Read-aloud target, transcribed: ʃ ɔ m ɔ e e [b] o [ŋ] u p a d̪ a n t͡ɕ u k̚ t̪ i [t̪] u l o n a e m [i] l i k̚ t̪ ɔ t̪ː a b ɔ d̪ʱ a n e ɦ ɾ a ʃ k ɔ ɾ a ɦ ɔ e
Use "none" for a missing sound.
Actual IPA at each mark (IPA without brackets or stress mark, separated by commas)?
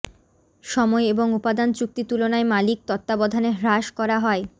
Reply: b, ŋ, t̪, a